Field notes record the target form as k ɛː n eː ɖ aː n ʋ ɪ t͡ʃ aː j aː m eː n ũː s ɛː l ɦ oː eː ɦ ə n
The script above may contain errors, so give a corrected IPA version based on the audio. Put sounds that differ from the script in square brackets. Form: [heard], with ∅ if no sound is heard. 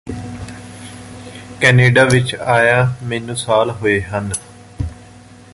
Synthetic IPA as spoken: k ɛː n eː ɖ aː [∅] ʋ ɪ t͡ʃ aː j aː m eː n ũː s [aː] l ɦ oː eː ɦ ə n

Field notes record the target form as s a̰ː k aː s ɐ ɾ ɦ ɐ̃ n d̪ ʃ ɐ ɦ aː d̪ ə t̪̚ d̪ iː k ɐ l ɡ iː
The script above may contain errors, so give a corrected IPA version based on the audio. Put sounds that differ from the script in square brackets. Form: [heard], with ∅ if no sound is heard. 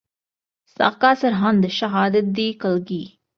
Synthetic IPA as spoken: s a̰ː k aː s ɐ ɾ ɦ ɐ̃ n d̪ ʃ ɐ ɦ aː d̪ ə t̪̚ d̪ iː k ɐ l ɡ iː

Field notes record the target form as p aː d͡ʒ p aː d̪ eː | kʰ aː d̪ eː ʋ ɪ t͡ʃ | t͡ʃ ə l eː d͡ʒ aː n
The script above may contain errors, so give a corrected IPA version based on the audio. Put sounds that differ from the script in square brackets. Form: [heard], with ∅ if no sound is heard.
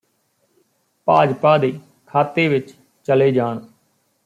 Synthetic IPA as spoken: p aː d͡ʒ p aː d̪ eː | kʰ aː [t̪] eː ʋ ɪ t͡ʃ | t͡ʃ ə l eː d͡ʒ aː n

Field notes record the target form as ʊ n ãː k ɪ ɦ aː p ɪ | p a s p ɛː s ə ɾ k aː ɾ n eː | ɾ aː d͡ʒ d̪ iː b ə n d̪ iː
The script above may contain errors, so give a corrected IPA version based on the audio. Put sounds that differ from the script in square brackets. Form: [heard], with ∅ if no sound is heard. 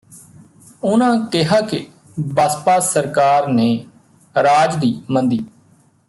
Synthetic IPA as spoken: ʊ n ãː k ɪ ɦ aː [k] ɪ | [b] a s p [aː] s ə ɾ k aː ɾ n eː | ɾ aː d͡ʒ d̪ iː [m] ə n d̪ iː

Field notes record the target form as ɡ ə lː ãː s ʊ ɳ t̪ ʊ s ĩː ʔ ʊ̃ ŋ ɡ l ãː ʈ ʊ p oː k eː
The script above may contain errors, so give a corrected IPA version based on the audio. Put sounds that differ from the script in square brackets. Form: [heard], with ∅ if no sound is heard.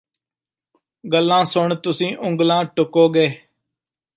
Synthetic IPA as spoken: ɡ ə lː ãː s ʊ ɳ t̪ ʊ s ĩː ʔ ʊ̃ ŋ ɡ l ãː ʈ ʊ [k] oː [ɡ] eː

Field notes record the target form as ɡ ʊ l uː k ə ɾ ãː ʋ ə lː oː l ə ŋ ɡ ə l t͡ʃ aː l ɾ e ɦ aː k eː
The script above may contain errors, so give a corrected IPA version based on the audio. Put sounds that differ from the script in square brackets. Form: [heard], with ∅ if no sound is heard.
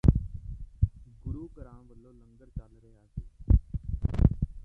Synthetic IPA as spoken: ɡ ʊ [ɾ] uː k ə ɾ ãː ʋ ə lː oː l ə ŋ ɡ ə [ɾ] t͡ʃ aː l ɾ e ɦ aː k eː

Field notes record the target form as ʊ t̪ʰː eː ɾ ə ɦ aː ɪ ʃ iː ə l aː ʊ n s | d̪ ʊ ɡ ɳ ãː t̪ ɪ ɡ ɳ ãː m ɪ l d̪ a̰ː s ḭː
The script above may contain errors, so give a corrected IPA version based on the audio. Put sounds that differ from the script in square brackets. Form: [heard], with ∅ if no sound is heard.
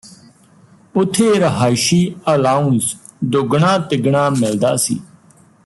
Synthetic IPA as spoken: ʊ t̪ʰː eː ɾ ə ɦ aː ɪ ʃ iː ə l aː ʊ n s | d̪ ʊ ɡ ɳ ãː t̪ ɪ ɡ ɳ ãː m ɪ l d̪ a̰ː s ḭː

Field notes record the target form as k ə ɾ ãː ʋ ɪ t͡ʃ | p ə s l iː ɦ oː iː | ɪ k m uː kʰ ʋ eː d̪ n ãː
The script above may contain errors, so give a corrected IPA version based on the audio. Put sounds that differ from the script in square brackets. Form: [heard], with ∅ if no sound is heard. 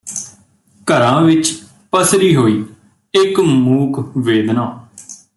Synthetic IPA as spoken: k ə ɾ ãː ʋ ɪ t͡ʃ | p ə s [ɾ] iː ɦ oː iː | ɪ k m uː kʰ ʋ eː d̪ n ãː

